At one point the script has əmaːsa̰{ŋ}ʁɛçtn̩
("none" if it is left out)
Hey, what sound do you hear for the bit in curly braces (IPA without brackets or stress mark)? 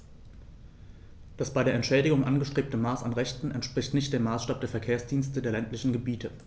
n